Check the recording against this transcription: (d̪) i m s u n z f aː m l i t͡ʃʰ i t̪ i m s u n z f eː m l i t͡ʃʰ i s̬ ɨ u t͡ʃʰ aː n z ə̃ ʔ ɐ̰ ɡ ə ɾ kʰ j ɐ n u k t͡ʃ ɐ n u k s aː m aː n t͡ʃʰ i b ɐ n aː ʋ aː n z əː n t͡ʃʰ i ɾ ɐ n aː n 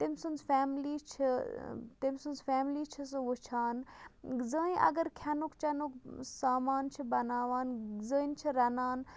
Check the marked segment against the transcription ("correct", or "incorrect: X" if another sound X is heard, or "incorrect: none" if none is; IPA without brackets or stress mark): incorrect: t̪